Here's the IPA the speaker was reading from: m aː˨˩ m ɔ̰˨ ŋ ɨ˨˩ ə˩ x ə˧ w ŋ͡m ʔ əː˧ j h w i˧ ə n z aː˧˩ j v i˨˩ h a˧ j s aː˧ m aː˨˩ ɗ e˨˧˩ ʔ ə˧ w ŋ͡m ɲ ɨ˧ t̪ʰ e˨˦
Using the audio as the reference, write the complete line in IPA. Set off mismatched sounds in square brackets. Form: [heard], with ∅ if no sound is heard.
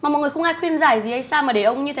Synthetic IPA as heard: m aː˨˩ m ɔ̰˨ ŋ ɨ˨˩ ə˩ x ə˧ w ŋ͡m ʔ [aː˧] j [x] w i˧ ə n z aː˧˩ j [z] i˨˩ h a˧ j s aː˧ m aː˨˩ ɗ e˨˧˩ ʔ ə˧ w ŋ͡m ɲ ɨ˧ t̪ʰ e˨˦